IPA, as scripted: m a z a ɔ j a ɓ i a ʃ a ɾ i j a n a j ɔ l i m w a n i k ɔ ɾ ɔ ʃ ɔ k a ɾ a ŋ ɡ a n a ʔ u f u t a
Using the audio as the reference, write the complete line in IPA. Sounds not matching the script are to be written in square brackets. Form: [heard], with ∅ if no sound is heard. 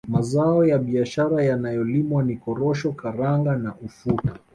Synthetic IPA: m a z a ɔ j a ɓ i a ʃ a ɾ [a] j a n a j ɔ l i m w a n i k ɔ ɾ ɔ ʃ ɔ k a ɾ a ŋ ɡ a n a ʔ u f u t a